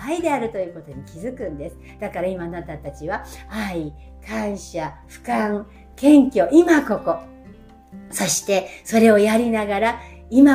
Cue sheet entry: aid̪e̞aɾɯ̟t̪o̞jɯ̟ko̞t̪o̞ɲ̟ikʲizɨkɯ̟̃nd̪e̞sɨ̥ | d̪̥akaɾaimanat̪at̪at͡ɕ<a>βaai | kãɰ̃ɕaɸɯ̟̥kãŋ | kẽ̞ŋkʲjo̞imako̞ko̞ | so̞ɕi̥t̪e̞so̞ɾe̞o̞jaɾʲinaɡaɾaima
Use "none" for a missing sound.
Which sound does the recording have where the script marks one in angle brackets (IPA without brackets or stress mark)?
i